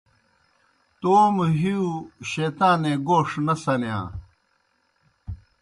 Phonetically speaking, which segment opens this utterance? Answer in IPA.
t̪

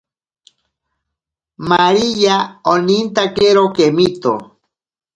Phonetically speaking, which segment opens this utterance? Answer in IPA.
m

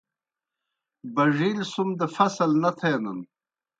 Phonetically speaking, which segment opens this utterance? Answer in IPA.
b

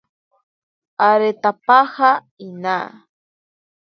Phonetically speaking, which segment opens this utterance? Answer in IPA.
a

